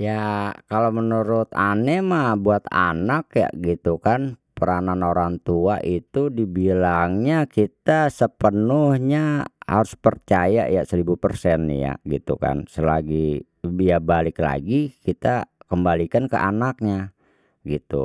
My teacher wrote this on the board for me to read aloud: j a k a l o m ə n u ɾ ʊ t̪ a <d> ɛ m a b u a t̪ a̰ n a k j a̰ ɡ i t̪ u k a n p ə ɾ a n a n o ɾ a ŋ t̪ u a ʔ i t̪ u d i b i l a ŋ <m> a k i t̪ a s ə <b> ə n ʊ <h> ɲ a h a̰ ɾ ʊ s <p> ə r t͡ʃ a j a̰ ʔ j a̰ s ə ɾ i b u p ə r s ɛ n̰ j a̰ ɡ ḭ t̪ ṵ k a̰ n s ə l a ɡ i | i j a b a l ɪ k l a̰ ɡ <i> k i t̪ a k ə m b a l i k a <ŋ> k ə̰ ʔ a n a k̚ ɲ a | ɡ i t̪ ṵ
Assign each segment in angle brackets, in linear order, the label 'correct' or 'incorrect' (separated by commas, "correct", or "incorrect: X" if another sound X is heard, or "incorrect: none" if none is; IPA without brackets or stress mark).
incorrect: n, incorrect: ɲ, incorrect: p, correct, correct, correct, incorrect: n